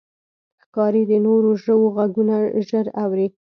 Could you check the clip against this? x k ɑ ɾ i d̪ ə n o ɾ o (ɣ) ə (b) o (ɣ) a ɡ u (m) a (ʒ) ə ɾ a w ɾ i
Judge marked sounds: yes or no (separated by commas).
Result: no, no, yes, no, yes